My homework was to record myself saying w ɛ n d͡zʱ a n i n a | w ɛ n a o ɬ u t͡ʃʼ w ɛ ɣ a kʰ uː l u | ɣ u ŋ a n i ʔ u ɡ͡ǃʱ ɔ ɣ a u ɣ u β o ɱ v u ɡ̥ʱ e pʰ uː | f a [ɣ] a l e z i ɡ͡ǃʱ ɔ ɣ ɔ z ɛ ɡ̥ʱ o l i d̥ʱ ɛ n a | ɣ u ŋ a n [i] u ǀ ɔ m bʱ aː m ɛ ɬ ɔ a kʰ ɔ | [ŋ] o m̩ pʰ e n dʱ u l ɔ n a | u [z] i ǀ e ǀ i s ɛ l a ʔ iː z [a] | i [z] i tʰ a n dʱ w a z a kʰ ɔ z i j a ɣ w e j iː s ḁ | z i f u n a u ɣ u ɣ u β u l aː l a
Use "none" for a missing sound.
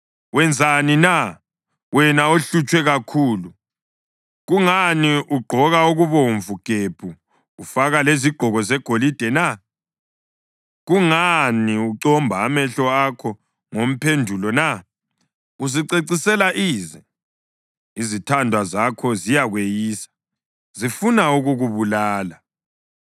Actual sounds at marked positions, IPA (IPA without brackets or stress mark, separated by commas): ɣ, i, ŋ, z, ɛ, z